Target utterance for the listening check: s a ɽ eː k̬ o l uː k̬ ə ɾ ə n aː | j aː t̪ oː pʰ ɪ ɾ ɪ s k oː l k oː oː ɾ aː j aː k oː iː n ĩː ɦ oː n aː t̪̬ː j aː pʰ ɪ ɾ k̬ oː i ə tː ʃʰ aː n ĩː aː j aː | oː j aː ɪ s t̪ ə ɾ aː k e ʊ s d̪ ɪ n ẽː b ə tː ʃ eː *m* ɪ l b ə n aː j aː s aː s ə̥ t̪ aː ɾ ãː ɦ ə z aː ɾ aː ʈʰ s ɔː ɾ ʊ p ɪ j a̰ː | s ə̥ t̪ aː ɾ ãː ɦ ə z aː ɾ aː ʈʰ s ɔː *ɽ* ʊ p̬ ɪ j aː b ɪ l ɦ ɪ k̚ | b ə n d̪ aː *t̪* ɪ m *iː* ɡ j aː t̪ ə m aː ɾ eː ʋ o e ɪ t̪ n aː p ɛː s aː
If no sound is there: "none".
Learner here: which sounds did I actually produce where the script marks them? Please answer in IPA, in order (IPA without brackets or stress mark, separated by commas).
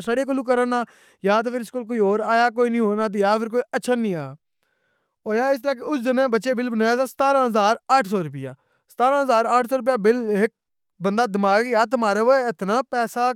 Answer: b, ɾ, d̪, aː